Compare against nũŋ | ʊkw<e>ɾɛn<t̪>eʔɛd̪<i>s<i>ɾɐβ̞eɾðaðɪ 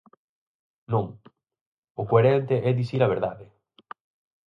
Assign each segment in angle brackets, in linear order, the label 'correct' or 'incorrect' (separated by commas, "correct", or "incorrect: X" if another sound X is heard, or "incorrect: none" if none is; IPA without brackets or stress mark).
correct, correct, correct, correct